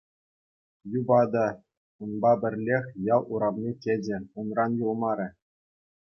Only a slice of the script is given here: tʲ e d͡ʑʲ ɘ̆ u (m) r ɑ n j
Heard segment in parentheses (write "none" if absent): n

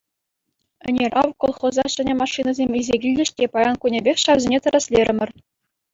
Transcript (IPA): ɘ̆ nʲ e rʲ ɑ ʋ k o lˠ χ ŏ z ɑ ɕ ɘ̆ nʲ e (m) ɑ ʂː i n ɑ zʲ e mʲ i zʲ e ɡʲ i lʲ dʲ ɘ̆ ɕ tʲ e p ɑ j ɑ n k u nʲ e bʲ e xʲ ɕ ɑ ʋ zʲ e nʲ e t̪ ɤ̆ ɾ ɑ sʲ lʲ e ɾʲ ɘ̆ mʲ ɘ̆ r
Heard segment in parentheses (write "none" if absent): m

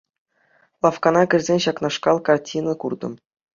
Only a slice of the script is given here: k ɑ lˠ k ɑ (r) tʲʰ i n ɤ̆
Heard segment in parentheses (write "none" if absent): r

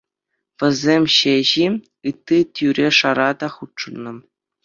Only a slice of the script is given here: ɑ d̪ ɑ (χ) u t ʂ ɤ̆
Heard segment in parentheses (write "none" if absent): χ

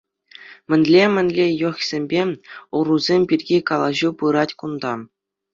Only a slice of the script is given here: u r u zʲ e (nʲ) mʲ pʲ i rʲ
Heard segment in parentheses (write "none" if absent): none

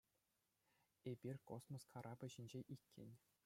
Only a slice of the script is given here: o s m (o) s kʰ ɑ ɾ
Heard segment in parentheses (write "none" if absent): o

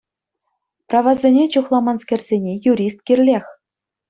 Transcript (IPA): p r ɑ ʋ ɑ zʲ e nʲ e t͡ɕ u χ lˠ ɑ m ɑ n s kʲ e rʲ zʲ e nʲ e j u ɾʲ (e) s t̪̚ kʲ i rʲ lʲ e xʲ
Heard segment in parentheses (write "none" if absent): i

